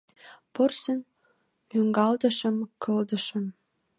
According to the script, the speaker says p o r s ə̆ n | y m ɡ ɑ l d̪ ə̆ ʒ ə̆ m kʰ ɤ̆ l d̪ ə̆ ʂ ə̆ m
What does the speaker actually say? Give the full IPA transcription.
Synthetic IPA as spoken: p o r s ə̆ n | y ŋ ɡ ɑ l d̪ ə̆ ʃ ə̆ m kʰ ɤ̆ l d̪ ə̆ ʃ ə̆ m